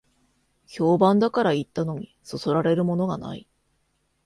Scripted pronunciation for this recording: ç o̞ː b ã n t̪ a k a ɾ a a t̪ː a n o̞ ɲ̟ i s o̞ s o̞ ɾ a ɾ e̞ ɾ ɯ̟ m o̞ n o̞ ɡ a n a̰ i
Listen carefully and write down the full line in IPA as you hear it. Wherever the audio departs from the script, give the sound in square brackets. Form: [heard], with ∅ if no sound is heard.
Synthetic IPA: ç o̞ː b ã n [d̪] a k a ɾ a [i] t̪ː a n o̞ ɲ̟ i s o̞ s o̞ ɾ a ɾ e̞ ɾ ɯ̟ m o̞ n o̞ ɡ a n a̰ i